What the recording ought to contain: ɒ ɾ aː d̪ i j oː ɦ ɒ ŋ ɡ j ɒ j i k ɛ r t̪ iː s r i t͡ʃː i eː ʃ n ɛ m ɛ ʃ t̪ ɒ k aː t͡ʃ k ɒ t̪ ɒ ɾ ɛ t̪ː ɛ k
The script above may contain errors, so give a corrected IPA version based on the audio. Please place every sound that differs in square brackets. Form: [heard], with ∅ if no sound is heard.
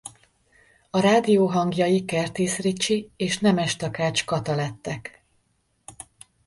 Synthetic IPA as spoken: ɒ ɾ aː d̪ i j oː ɦ ɒ ŋ ɡ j ɒ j i k ɛ r t̪ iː s r i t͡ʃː i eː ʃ n ɛ m ɛ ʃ t̪ ɒ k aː t͡ʃ k ɒ t̪ ɒ [l] ɛ t̪ː ɛ k

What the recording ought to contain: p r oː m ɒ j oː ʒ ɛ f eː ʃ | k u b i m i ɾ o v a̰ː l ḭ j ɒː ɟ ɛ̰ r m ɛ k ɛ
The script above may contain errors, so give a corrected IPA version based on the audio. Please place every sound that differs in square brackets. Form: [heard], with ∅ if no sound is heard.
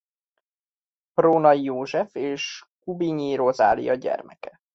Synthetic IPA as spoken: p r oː [n] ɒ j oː ʒ ɛ f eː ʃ | k u b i [ɲ] i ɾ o [z] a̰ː l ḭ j [ɒ] ɟ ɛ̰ r m ɛ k ɛ

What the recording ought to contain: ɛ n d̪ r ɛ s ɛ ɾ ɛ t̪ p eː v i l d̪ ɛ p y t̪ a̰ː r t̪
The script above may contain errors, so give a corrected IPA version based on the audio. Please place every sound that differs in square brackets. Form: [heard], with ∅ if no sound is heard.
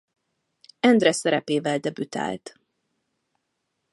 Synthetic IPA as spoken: ɛ n d̪ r ɛ s ɛ ɾ ɛ [∅] p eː v [ɛ] l d̪ ɛ [b] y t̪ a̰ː [l] t̪

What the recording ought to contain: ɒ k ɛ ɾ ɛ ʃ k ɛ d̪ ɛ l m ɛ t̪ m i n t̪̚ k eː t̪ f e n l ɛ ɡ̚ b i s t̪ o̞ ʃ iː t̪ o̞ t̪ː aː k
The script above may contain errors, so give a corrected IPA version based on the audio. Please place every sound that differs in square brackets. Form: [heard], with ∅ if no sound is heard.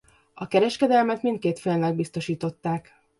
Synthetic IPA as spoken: ɒ k ɛ ɾ ɛ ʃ k ɛ d̪ ɛ l m ɛ t̪ m i n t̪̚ k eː t̪ f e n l ɛ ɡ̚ b i s t̪ o̞ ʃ iː t̪ o̞ t̪ː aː k

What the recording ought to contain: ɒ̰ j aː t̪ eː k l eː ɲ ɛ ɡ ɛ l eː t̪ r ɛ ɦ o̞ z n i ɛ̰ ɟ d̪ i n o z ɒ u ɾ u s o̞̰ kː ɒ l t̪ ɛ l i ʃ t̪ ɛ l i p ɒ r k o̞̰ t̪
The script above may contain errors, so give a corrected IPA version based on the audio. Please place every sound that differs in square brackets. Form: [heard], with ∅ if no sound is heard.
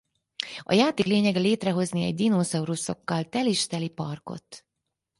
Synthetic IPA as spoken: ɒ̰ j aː t̪ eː k l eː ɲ ɛ ɡ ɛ l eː t̪ r ɛ ɦ o̞ z n i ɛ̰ ɟ d̪ i n o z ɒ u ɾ u s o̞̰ kː ɒ l t̪ ɛ l i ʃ t̪ ɛ l i p ɒ r k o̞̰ t̪

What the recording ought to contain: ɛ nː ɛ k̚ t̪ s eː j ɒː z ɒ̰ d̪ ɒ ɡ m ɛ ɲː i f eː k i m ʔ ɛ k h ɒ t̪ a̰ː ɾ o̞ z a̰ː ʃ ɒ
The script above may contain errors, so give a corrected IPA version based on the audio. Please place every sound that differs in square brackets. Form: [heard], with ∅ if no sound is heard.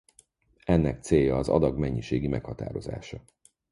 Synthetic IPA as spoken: ɛ nː ɛ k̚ t̪ s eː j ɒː z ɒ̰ d̪ ɒ ɡ m ɛ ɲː i [ʃ] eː [ɡ] i m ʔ ɛ k h ɒ t̪ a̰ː ɾ o̞ z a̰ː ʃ ɒ

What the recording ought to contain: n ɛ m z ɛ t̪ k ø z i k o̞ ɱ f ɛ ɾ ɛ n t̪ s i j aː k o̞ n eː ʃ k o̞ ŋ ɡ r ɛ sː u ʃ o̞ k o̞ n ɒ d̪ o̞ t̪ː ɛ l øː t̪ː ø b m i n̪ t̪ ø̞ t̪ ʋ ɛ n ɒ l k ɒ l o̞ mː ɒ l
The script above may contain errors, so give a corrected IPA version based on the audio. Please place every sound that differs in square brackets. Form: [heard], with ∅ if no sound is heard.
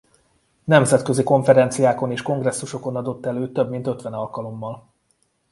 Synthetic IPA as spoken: n ɛ m z ɛ t̪ k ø z i k o̞ ɱ f ɛ ɾ ɛ n t̪ s i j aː k o̞ n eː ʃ k o̞ ŋ ɡ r ɛ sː u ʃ o̞ k o̞ n ɒ d̪ o̞ t̪ː ɛ l øː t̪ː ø b m i n̪ t̪ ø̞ t̪ ʋ ɛ n ɒ l k ɒ l o̞ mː ɒ l

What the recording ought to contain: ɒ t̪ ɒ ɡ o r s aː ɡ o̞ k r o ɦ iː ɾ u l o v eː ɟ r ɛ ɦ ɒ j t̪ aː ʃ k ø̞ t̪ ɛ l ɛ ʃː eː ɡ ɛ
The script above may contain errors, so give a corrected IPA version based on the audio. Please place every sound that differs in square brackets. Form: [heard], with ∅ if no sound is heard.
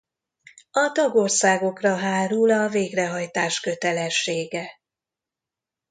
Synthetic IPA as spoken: ɒ t̪ ɒ ɡ o r s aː ɡ o̞ k r [ɒ] ɦ [aː] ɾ u l [ɒ] v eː [ɡ] r ɛ ɦ ɒ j t̪ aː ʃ k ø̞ t̪ ɛ l ɛ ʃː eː ɡ ɛ

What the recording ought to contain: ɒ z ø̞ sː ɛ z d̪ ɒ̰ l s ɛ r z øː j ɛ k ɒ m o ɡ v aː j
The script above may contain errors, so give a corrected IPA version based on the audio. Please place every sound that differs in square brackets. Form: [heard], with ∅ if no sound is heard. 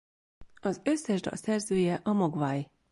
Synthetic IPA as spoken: ɒ z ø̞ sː ɛ [ʒ] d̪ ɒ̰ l s ɛ r z øː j ɛ [ʔ] ɒ m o ɡ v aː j

